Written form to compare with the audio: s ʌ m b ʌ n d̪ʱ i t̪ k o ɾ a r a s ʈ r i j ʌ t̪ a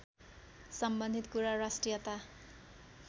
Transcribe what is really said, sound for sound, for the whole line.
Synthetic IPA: s ʌ m b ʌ n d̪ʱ i t̪ k u ɾ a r a s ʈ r i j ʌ t̪ a